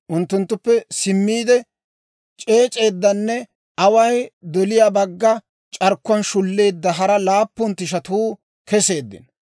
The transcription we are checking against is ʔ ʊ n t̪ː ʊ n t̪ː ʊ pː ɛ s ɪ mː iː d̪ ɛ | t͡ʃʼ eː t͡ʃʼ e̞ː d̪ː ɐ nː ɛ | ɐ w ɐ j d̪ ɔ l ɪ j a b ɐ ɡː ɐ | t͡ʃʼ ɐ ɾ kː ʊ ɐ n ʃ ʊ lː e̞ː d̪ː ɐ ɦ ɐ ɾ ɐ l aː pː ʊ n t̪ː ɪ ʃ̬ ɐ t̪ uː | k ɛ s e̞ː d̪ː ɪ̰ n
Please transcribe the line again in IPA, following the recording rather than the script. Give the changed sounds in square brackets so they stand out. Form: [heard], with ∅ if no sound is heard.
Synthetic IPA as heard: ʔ ʊ n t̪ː ʊ n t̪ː ʊ pː ɛ s ɪ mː iː d̪ ɛ | t͡ʃʼ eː t͡ʃʼ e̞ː d̪ː ɐ nː ɛ | ɐ w ɐ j d̪ ɔ l ɪ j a b ɐ ɡː ɐ | t͡ʃʼ ɐ ɾ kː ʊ ɐ n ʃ ʊ lː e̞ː d̪ː ɐ ɦ ɐ ɾ ɐ l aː pː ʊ n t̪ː ɪ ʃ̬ ɐ t̪ uː | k ɛ s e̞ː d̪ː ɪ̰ n

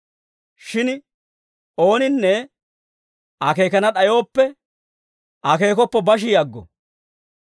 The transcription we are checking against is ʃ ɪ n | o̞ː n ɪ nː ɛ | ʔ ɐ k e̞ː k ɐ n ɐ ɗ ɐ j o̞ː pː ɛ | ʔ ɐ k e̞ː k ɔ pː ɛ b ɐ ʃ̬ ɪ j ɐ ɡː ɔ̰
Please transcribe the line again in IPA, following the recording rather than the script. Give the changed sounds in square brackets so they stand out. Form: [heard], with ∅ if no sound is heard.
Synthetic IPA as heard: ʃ ɪ n | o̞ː n ɪ nː ɛ | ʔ ɐ k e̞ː k ɐ n ɐ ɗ ɐ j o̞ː pː ɛ | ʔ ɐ k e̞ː k ɔ pː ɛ b ɐ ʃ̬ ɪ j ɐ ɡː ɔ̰

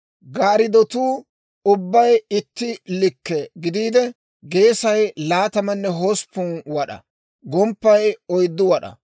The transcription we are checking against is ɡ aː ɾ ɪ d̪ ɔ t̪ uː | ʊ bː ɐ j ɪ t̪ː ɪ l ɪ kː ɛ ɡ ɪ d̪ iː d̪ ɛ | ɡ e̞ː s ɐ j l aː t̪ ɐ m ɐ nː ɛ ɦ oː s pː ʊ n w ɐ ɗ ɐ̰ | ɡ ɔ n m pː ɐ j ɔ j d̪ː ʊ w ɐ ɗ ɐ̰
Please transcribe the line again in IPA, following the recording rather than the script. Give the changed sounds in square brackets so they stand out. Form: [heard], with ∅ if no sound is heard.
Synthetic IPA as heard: ɡ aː ɾ ɪ d̪ ɔ t̪ uː | ʊ bː ɐ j ɪ t̪ː ɪ l ɪ kː ɛ ɡ ɪ d̪ iː d̪ ɛ | ɡ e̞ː s ɐ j l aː t̪ ɐ m ɐ nː ɛ ɦ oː s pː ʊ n w ɐ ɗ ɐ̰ | ɡ ɔ [∅] m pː ɐ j ɔ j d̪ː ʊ w ɐ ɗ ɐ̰

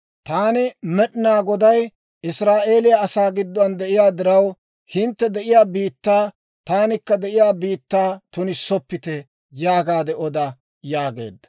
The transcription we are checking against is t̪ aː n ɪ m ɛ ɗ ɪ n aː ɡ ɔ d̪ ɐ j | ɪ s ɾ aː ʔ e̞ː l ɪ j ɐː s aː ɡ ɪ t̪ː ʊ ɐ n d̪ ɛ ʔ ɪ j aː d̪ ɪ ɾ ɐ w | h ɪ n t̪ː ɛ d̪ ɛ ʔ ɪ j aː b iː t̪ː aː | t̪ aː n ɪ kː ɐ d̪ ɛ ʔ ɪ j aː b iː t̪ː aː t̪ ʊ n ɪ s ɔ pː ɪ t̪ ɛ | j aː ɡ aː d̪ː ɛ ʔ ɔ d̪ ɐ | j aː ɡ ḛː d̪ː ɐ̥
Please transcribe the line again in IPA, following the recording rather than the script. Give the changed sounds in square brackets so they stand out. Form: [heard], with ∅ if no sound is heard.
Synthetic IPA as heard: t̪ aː n ɪ m ɛ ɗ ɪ n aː ɡ ɔ d̪ ɐ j | ɪ s ɾ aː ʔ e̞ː l ɪ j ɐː s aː ɡ ɪ [d̪ː] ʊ ɐ n d̪ ɛ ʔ ɪ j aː d̪ ɪ ɾ ɐ w | h ɪ n t̪ː ɛ d̪ ɛ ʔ ɪ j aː b iː t̪ː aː | t̪ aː n ɪ kː ɐ d̪ ɛ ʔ ɪ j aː b iː t̪ː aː t̪ ʊ n ɪ s ɔ pː ɪ t̪ ɛ | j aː ɡ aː [d̪] ɛ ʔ ɔ d̪ ɐ | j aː ɡ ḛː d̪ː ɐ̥

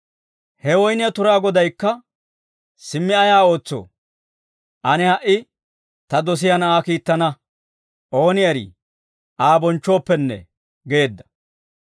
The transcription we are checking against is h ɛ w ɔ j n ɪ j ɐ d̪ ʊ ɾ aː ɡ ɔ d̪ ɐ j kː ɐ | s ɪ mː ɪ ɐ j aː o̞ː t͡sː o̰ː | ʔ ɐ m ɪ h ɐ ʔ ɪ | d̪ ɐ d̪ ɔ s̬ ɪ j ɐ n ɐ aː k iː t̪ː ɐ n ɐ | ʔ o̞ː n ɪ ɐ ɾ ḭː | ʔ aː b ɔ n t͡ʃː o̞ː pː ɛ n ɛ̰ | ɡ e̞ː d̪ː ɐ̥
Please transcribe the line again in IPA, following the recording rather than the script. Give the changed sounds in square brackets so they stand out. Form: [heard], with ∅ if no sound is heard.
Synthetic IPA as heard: h ɛ w ɔ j n ɪ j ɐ [t̪] ʊ ɾ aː ɡ ɔ d̪ ɐ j kː ɐ | s ɪ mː ɪ ɐ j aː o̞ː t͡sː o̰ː | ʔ ɐ [n] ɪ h ɐ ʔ ɪ | [t̪] ɐ d̪ ɔ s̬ ɪ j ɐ n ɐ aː k iː t̪ː ɐ n ɐ | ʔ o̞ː n ɪ ɐ ɾ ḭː | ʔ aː b ɔ n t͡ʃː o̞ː pː ɛ [nː] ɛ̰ | ɡ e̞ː d̪ː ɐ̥

